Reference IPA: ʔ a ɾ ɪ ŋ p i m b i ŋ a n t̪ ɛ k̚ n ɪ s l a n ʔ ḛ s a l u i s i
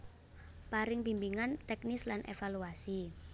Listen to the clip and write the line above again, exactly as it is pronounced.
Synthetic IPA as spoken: p a ɾ ɪ ŋ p i m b i ŋ a n t̪ ɛ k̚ n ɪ s l a n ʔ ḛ f a l u a s i